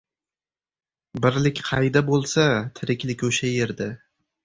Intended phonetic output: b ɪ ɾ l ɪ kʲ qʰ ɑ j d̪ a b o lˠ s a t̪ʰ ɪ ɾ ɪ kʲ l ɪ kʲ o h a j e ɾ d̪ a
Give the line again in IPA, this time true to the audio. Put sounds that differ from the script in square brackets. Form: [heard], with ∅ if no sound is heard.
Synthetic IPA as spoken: b ɪ ɾ l ɪ kʲ qʰ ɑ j d̪ a b o lˠ s a t̪ʰ ɪ ɾ ɪ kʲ l ɪ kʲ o [ʃ] a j e ɾ d̪ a